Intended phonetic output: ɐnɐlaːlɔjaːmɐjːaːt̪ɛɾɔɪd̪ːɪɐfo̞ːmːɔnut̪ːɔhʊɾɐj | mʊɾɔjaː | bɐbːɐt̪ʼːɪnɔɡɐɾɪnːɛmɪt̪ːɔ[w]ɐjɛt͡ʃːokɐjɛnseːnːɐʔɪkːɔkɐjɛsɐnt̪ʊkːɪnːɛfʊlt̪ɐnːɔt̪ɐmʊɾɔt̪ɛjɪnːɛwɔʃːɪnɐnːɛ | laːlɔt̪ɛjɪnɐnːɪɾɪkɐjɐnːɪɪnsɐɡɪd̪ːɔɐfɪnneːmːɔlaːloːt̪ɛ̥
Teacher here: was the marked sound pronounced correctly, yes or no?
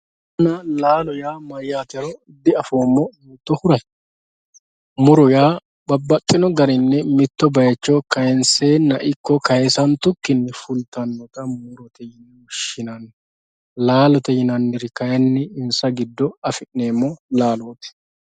no